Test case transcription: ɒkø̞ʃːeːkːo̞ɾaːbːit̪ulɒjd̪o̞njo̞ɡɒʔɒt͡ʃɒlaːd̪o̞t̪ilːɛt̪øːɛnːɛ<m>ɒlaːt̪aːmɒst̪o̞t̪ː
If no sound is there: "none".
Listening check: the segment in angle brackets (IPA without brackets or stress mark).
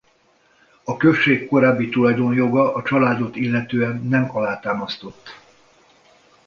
m